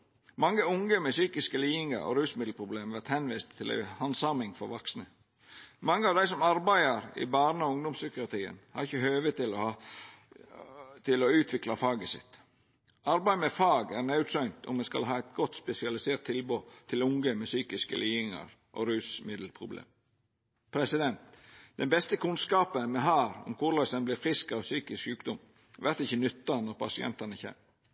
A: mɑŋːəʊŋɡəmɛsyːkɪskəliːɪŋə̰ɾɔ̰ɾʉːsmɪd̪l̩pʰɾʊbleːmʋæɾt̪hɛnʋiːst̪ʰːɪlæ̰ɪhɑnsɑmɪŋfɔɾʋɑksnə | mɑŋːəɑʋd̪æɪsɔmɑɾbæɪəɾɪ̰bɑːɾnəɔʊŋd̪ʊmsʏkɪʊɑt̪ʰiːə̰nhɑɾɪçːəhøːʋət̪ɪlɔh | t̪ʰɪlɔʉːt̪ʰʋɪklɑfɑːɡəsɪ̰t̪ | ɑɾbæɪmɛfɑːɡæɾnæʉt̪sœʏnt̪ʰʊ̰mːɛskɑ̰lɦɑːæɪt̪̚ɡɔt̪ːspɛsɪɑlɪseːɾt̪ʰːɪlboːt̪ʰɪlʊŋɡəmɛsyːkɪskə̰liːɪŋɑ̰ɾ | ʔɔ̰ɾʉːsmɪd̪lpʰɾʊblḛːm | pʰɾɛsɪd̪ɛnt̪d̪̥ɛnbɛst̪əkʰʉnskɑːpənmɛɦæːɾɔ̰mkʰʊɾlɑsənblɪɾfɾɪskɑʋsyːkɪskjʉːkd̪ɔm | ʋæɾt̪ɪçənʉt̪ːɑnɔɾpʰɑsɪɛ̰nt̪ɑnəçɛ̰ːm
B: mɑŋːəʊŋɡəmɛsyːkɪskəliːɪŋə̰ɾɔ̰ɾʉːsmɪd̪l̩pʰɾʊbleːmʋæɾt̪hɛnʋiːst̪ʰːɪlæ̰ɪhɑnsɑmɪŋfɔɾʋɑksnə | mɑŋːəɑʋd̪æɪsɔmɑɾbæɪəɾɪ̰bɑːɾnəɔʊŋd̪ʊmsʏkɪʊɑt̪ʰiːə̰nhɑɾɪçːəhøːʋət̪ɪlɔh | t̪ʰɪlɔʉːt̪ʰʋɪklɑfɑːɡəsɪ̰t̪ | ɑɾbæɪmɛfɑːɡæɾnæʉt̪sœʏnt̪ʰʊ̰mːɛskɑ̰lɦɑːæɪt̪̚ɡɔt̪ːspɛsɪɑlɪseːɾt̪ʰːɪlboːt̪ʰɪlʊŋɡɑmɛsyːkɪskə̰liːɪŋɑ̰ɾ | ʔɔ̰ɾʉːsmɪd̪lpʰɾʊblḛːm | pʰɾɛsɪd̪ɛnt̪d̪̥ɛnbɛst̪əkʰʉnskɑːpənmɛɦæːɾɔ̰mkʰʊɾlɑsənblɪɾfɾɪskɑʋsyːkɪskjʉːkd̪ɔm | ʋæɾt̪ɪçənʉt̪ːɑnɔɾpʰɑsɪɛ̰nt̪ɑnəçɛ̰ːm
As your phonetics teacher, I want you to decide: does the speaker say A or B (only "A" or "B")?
A